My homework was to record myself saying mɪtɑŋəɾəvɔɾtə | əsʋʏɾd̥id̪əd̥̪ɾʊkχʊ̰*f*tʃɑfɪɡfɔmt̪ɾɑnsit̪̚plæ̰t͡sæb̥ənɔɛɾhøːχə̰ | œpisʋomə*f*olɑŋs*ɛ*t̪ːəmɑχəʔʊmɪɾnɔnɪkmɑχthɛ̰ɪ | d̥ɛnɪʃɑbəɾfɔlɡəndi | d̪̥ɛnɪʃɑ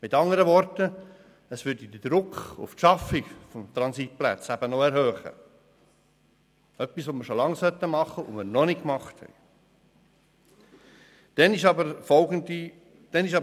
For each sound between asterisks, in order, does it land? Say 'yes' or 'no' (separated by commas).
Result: yes, no, no